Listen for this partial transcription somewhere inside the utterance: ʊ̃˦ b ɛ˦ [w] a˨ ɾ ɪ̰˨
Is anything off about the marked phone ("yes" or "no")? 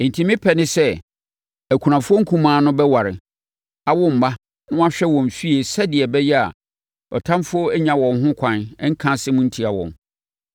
no